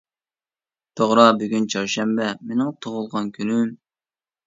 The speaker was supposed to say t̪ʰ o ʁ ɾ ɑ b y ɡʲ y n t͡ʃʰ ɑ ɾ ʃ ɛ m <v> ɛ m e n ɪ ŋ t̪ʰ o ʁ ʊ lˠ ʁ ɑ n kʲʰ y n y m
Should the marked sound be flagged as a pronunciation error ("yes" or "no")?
yes